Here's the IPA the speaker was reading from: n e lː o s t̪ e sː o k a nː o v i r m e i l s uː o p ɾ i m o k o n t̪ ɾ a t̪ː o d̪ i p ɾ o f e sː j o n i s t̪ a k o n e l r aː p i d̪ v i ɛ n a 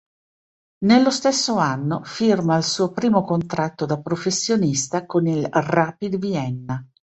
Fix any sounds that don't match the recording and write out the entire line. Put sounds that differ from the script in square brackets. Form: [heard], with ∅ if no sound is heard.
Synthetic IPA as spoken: n e lː o s t̪ e sː o [∅] a nː o [f] i r m [a] i l s uː o p ɾ [iː] m o k o n t̪ ɾ a t̪ː o d̪ [a] p ɾ o f e sː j o n i s t̪ a k o n [i] l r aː p i d̪ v i ɛ [nː] a